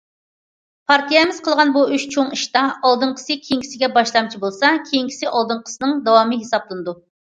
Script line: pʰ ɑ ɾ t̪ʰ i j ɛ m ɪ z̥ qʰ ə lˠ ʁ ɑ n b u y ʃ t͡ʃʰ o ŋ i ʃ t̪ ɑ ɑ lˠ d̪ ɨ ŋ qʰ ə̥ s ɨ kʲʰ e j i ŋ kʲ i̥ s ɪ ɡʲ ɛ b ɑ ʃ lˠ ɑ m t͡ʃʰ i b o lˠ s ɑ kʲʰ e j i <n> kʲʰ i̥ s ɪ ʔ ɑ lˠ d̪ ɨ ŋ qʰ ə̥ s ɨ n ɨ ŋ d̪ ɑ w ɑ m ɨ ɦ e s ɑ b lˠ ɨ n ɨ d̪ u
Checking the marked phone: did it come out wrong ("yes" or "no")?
yes